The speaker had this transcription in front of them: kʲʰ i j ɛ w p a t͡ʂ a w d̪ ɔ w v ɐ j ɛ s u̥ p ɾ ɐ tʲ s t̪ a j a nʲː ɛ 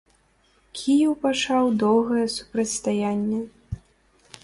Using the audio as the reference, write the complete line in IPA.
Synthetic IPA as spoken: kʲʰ i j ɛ w p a t͡ʂ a w d̪ ɔ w ɣ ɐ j ɛ s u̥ p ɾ ɐ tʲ s t̪ a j a nʲː ɛ